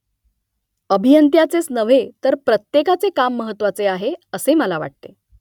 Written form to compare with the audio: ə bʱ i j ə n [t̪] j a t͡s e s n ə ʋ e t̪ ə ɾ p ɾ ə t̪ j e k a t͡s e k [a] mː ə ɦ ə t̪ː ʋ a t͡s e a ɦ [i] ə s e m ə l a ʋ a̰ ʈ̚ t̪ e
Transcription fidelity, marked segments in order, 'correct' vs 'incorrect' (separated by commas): correct, correct, incorrect